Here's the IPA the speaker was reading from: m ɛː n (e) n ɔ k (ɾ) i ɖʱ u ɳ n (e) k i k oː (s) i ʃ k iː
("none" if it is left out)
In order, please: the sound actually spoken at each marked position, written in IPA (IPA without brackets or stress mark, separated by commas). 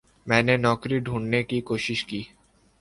e, ɾ, e, ʃ